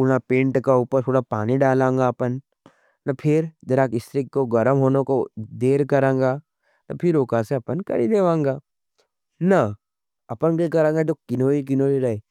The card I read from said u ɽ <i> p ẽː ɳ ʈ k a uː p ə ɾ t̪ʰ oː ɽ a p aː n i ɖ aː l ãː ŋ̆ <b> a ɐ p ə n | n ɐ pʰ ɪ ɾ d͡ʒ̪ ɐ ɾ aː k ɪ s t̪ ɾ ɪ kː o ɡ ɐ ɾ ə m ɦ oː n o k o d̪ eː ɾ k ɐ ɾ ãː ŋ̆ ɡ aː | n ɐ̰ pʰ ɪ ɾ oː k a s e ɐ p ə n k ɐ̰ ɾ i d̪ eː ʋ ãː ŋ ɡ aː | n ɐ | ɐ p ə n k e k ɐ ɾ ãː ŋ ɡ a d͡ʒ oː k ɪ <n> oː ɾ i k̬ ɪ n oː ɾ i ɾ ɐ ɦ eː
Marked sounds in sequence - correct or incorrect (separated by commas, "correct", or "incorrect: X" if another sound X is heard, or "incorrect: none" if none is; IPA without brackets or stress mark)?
incorrect: a, incorrect: ɡ, correct